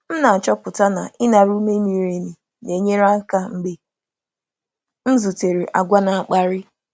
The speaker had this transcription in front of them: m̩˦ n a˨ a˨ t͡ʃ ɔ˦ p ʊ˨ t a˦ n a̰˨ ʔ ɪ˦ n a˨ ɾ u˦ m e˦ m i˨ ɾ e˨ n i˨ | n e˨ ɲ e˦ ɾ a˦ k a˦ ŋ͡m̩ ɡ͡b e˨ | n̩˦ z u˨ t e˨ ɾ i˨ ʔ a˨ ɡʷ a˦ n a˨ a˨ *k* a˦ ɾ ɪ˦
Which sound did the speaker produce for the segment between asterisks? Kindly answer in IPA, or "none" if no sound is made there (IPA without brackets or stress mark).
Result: k͡p